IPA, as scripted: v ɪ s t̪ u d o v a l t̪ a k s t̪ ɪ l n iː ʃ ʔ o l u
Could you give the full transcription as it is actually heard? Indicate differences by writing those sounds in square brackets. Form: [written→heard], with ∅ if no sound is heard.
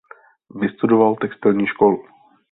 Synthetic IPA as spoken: v ɪ s t̪ u d o v a l t̪ [a→ɛ] k s t̪ ɪ l [n→ɲ] iː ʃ [ʔ→k] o l u